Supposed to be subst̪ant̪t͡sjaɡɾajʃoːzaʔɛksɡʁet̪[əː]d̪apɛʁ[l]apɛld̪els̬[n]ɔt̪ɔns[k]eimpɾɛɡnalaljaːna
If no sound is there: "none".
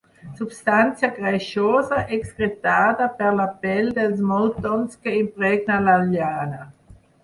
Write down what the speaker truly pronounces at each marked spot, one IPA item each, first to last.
aː, l, m, k

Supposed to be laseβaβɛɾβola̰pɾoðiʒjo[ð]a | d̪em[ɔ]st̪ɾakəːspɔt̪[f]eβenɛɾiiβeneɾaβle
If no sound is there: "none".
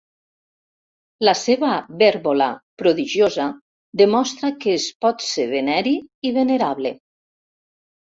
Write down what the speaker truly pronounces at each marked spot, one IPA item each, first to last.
z, ɔ, s

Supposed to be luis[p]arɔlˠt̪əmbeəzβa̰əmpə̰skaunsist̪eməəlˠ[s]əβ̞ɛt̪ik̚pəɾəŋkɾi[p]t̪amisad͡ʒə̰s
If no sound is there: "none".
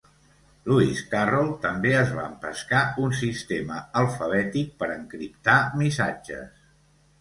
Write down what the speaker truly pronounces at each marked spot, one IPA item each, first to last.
k, f, p

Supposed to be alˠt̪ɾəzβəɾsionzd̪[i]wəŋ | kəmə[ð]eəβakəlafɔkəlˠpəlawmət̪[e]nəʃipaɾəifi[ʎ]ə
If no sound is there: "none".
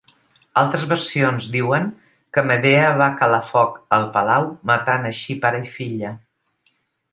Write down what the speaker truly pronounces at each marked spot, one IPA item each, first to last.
i, ð, a, ʎ

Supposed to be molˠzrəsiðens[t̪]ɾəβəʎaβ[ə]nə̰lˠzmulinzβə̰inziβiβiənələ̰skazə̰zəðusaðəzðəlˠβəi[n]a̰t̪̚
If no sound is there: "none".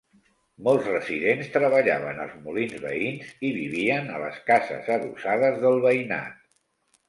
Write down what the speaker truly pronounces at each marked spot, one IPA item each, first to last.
t̪, ə, n

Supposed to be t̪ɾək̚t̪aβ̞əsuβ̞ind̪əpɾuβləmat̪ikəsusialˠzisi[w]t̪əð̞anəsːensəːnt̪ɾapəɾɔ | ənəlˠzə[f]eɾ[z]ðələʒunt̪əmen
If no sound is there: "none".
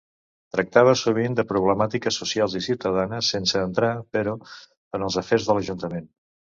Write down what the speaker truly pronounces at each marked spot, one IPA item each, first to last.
w, f, z

